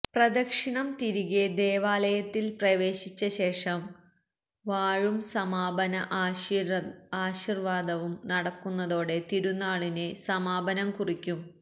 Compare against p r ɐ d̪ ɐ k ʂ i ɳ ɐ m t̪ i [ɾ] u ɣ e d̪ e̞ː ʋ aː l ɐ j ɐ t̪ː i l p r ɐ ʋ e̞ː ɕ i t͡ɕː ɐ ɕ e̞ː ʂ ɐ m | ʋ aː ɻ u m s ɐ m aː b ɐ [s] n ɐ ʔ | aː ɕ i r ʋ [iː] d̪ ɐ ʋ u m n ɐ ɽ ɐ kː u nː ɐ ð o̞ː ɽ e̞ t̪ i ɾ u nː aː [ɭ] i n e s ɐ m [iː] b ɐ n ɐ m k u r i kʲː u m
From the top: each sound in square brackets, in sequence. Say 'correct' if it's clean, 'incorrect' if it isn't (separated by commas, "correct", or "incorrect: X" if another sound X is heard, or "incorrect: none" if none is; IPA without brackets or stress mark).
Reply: correct, incorrect: none, incorrect: aː, correct, incorrect: aː